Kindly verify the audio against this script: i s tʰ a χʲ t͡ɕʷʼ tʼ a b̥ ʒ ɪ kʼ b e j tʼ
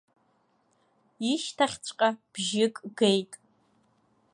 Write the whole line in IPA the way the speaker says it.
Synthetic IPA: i ʃ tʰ a χʲ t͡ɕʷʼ qʼ a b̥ ʒ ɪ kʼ ɡ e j tʼ